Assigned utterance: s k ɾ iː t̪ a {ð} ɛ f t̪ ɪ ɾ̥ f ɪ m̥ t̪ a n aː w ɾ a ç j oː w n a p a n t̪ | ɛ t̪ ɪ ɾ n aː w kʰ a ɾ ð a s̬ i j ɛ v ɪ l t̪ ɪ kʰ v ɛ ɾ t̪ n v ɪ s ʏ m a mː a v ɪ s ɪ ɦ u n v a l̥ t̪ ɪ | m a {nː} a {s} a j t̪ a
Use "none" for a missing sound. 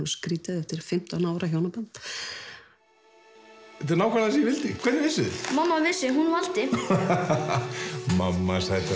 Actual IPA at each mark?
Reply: ð, mː, s

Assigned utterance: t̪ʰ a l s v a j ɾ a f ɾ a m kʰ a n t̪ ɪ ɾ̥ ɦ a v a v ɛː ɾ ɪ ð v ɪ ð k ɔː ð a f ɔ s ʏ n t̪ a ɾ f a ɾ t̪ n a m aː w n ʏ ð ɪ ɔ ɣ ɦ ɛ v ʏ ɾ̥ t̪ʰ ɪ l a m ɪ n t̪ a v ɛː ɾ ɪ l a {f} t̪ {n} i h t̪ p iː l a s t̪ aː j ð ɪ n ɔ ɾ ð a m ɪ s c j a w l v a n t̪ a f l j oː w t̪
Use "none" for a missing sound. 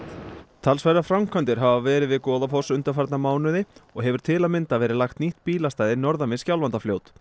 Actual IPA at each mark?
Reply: x, n

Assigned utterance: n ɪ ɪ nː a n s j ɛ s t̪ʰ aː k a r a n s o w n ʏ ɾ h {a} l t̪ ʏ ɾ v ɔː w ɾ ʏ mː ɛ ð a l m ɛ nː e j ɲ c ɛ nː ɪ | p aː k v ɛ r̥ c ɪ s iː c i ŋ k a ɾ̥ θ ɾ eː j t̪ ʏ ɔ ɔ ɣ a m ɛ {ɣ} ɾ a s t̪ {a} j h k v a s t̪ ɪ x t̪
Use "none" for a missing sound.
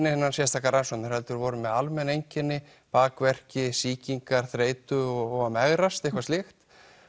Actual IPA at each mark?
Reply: ɛ, ɣ, e

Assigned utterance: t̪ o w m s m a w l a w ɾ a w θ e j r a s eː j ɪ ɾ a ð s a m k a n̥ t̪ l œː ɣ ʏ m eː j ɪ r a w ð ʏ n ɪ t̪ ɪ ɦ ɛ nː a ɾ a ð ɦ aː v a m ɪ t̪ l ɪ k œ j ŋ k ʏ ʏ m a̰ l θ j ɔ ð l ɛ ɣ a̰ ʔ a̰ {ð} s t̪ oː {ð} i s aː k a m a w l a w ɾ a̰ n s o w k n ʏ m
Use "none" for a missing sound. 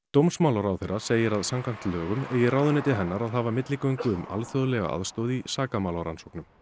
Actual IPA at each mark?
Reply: ð, ð

